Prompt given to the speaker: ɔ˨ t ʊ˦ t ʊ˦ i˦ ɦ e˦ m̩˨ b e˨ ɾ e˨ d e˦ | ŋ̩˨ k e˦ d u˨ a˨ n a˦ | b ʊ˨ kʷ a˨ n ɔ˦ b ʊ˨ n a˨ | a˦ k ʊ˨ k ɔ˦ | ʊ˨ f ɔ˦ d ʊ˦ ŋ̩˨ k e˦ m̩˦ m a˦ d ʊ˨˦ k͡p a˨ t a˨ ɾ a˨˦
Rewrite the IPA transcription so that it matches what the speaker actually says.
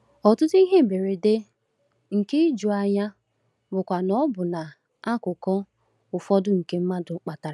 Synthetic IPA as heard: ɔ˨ t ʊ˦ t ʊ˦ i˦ ɦ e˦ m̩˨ b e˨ ɾ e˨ d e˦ | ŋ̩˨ k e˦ d͡ʒ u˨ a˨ ɲ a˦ | b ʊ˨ kʷ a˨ n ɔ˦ b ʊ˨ n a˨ | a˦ k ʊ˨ k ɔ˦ | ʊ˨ f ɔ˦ d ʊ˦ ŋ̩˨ k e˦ m̩˦ m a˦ d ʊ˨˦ k͡p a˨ t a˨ ɾ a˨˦

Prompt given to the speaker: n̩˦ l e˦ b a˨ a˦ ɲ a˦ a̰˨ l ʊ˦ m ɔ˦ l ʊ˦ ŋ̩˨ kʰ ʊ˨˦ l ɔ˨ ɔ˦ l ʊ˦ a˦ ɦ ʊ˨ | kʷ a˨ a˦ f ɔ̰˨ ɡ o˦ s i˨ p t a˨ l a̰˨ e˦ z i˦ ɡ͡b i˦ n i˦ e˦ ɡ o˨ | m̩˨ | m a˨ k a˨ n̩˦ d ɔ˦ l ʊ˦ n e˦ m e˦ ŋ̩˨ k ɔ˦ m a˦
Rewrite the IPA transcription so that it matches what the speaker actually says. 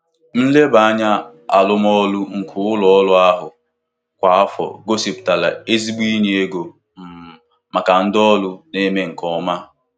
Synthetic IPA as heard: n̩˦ l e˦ b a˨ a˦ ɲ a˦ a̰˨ l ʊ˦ m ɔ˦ l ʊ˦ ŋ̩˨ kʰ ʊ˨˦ l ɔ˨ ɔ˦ l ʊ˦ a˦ ɦ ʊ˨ | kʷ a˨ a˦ f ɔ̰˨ ɡ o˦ s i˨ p t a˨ l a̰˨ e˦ z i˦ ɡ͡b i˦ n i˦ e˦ ɡ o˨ | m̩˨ | m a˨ k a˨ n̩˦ d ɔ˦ l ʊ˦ n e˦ m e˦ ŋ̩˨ k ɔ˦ m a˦

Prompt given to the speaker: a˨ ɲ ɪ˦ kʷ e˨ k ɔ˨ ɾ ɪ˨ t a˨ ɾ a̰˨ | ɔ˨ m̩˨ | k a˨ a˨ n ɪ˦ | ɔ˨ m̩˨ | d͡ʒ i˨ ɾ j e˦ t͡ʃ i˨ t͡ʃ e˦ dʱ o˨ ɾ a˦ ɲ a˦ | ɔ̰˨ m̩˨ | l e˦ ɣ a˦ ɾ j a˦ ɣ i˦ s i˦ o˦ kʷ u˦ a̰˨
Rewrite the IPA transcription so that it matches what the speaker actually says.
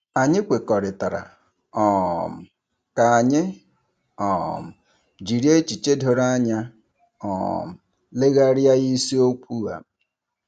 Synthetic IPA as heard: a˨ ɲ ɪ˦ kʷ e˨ k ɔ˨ ɾ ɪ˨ t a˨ ɾ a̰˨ | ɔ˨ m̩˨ | k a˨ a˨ ɲ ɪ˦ | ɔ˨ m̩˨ | d͡ʒ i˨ ɾ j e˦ t͡ʃ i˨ t͡ʃ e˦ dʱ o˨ ɾ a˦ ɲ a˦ | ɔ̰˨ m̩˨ | l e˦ ɣ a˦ ɾ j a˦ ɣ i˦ s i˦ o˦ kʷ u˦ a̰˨

